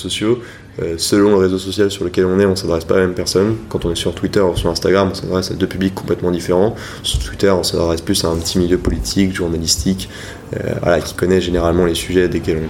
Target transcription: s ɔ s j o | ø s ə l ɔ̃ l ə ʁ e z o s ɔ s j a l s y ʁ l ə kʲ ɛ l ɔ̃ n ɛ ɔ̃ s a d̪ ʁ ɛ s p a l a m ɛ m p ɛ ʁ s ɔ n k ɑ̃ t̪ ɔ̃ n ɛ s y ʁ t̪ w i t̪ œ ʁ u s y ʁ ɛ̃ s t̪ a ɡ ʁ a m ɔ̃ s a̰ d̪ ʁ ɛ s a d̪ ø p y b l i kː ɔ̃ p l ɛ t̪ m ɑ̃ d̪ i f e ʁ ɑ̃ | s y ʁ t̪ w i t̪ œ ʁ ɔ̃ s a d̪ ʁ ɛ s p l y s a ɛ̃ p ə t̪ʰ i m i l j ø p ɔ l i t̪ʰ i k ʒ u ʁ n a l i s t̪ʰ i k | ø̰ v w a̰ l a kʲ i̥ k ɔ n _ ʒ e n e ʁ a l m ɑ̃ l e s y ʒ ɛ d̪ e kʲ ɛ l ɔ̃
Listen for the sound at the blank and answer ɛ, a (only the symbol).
ɛ